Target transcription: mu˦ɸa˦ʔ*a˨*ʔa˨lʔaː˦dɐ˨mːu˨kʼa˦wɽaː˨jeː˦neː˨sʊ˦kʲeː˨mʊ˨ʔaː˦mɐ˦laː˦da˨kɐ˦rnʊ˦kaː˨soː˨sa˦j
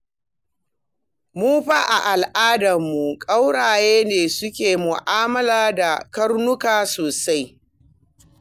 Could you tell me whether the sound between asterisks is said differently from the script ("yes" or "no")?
no